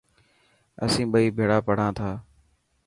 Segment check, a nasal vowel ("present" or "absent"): present